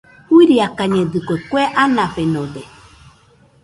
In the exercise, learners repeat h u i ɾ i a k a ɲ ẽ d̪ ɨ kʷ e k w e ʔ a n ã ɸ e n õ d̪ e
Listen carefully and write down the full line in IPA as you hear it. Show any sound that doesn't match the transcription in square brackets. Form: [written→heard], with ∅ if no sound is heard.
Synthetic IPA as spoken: h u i ɾ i a k a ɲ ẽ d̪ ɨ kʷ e k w e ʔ a n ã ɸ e n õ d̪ e